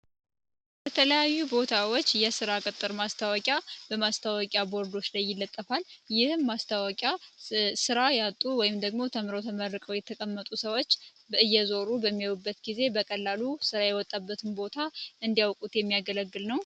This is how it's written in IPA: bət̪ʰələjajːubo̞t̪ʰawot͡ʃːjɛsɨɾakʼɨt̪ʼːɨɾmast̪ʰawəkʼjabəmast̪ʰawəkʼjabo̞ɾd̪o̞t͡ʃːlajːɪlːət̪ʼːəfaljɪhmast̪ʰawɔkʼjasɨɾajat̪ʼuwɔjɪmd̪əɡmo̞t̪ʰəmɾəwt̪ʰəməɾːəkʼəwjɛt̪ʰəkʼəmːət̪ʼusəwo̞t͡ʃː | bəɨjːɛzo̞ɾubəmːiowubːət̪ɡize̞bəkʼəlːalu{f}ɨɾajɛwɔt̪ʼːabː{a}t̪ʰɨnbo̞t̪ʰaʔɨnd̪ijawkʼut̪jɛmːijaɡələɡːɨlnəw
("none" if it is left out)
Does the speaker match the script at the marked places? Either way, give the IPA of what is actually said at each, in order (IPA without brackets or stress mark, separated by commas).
s, ə